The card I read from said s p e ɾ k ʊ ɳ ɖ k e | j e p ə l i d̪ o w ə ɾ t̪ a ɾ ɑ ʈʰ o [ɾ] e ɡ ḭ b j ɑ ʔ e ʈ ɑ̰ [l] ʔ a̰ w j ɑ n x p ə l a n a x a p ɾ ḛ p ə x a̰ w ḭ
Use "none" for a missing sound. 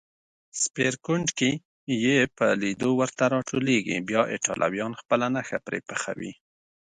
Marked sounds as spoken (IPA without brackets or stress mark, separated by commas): l, l